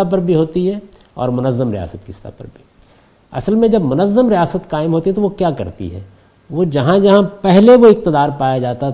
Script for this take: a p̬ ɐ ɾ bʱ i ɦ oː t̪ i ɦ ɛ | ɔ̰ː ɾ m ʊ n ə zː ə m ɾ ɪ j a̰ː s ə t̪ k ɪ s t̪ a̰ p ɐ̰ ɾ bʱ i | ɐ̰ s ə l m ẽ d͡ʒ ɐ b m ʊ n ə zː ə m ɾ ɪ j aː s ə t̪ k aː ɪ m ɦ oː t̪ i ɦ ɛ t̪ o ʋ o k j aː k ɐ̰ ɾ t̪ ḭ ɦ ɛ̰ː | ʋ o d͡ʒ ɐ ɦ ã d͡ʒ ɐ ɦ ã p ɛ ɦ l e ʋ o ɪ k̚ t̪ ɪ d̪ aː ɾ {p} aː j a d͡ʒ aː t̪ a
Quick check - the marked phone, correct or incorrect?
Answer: correct